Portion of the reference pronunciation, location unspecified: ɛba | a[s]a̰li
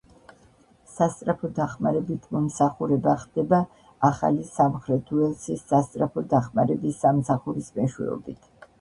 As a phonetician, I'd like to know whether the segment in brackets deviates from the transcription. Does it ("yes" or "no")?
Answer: yes